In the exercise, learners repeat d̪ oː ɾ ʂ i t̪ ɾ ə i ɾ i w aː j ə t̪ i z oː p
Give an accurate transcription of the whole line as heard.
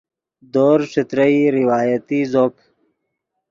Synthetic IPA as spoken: d̪ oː ɾ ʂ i t̪ ɾ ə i ɾ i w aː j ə t̪ i z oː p